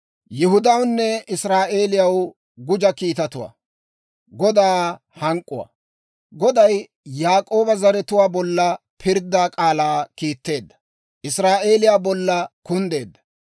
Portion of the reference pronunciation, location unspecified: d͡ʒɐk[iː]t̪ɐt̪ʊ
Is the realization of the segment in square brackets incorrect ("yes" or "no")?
no